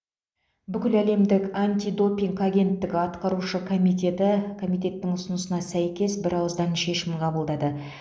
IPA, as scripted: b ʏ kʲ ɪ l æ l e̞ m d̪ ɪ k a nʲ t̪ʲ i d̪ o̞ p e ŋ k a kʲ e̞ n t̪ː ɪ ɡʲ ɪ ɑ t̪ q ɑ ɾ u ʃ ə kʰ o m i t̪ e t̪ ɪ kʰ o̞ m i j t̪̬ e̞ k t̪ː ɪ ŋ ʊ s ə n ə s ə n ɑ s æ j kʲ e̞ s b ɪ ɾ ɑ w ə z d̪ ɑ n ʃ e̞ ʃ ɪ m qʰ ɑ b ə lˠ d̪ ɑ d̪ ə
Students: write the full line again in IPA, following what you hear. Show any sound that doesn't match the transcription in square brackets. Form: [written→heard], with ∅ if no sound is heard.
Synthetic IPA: b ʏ kʲ ɪ l æ l e̞ m d̪ ɪ k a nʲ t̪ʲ i d̪ o̞ p [e→i] ŋ k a [kʲ→ɡʲ] e̞ n t̪ː ɪ ɡʲ ɪ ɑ t̪ q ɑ ɾ u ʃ ə kʰ o m i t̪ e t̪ ɪ kʰ o̞ m i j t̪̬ e̞ [k→∅] t̪ː ɪ ŋ ʊ s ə n ə s ə n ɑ s æ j kʲ e̞ s b ɪ ɾ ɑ w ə z d̪ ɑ n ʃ e̞ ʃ ɪ m qʰ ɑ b ə lˠ d̪ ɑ d̪ ə

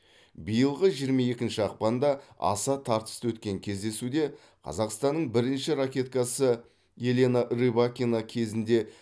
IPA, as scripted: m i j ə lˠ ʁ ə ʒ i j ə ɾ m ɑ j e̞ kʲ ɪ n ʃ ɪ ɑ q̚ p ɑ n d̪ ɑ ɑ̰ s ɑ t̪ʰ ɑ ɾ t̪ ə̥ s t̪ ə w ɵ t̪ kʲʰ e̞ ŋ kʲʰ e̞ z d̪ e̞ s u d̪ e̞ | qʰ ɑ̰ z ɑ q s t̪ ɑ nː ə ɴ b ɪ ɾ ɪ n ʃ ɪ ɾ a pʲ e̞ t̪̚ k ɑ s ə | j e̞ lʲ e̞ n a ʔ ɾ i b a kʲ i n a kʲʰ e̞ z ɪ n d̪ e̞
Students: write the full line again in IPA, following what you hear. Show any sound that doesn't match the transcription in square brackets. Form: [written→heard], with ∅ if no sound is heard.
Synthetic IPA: [m→b] i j ə lˠ ʁ ə ʒ i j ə ɾ m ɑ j e̞ kʲ ɪ n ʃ ɪ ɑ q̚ p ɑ n d̪ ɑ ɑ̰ s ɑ t̪ʰ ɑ ɾ t̪ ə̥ s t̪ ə w ɵ t̪ [kʲʰ→kʲ] e̞ ŋ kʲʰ e̞ z d̪ e̞ s u d̪ e̞ | qʰ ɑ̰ z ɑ q s t̪ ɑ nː ə ɴ b ɪ ɾ ɪ n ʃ ɪ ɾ a [pʲ→kʲ] e̞ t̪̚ k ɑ s ə | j e̞ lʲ e̞ n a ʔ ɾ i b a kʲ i n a kʲʰ e̞ z ɪ n d̪ e̞

